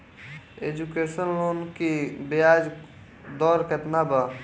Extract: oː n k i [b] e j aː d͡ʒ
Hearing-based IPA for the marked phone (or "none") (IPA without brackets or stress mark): b